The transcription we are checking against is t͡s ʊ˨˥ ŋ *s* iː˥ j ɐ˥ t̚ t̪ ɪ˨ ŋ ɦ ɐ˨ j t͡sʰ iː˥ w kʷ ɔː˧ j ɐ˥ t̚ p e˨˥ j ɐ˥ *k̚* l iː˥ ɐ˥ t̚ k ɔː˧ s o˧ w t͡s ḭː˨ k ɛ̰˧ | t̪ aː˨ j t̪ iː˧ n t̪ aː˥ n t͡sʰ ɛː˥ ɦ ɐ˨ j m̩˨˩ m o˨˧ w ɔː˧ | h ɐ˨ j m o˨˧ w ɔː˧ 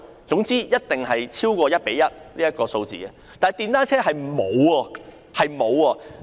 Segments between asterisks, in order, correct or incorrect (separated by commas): incorrect, incorrect